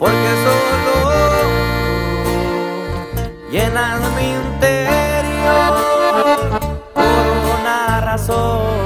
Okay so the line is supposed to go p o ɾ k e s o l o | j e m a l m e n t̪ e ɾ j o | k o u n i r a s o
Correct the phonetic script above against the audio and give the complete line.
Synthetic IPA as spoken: p o ɾ k e s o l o | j e n a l m i n t̪ e ɾ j o | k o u n a r a s o